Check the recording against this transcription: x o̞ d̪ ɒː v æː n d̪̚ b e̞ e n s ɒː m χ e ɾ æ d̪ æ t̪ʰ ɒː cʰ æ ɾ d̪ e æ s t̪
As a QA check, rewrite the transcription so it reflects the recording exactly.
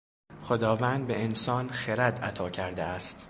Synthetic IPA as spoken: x o̞ d̪ ɒː v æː n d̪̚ b e̞ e n s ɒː n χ e ɾ æ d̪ æ t̪ʰ ɒː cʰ æ ɾ d̪ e æ s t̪